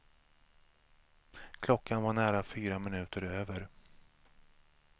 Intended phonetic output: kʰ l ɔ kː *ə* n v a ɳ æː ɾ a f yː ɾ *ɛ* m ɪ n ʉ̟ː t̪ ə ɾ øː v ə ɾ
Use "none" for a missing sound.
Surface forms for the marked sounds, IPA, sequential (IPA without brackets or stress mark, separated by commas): a, a